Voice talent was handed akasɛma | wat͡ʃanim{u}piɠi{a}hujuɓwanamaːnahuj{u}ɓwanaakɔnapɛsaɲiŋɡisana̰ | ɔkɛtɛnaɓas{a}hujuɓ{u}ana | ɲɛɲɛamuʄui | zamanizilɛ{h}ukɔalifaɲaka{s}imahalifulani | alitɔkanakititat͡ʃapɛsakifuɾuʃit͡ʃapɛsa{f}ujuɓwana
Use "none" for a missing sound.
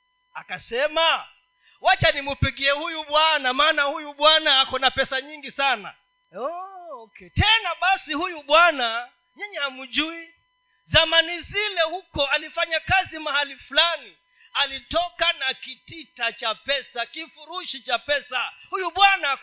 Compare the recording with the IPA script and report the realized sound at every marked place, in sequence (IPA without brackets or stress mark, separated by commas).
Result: u, ɛ, u, i, w, h, z, h